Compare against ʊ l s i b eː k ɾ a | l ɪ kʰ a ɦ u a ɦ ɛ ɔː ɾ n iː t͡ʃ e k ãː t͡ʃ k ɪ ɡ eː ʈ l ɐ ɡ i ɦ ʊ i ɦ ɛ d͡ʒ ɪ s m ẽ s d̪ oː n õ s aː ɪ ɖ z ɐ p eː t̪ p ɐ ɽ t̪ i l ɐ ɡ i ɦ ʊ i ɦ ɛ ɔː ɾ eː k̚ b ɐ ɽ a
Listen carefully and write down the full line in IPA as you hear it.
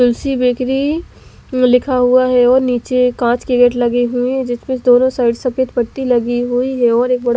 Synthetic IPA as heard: ʊ l s i b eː k ɾ i | l ɪ kʰ a ɦ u a ɦ ɛ ɔː ɾ n iː t͡ʃ e k ãː t͡ʃ k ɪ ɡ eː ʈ l ɐ ɡ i ɦ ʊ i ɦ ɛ d͡ʒ ɪ s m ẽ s d̪ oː n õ s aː ɪ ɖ s ɐ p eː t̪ p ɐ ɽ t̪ i l ɐ ɡ i ɦ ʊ i ɦ ɛ ɔː ɾ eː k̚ b ɐ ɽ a